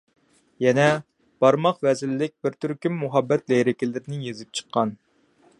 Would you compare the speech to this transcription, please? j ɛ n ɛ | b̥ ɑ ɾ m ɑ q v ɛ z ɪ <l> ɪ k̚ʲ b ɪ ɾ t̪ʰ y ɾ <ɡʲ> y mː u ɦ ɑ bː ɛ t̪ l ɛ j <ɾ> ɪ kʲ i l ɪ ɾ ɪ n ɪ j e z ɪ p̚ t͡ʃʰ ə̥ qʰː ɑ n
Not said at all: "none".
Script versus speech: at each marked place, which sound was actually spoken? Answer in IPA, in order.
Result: lː, kʲ, ɾ

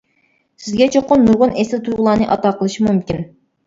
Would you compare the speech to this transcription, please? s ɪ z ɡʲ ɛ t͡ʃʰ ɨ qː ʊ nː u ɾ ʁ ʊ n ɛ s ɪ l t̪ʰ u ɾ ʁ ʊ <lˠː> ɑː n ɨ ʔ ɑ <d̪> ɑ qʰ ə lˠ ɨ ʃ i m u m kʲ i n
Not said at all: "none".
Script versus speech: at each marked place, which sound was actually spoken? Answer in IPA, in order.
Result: lˠ, t̪

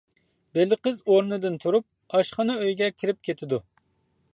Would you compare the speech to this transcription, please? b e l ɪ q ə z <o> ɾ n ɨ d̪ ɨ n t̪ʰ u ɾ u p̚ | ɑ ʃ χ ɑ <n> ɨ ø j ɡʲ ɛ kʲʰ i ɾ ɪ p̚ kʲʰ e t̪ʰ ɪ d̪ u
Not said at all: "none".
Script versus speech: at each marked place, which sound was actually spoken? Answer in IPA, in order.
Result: o, n

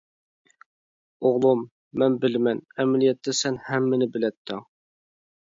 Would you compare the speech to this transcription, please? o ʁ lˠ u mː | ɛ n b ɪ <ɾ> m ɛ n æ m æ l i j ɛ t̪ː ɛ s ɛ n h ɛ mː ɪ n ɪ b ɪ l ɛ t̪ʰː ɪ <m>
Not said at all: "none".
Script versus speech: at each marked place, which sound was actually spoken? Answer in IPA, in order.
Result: l, ŋ

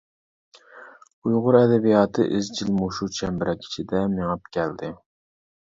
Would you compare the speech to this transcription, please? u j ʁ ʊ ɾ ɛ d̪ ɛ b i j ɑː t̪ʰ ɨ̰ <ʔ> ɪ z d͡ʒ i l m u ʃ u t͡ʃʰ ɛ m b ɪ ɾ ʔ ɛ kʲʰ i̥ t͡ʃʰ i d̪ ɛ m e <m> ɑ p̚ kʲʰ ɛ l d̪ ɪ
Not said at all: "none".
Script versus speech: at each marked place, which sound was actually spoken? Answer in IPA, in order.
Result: ʔ, ŋ

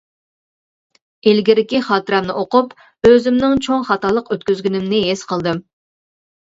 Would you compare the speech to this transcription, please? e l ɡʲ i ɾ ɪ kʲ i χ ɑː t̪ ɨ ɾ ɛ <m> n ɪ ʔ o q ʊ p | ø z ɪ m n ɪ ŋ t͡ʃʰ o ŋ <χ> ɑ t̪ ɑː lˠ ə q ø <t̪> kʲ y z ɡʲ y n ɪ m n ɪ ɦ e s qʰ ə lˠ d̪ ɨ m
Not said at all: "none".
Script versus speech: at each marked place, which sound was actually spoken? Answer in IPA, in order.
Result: m, χ, t̪

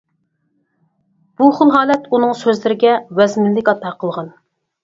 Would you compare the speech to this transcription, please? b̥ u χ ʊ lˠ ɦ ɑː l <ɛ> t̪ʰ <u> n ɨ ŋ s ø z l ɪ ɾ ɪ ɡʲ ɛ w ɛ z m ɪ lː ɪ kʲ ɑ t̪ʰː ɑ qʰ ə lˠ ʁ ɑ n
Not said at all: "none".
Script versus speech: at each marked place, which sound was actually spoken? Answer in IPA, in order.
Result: ɛ, u

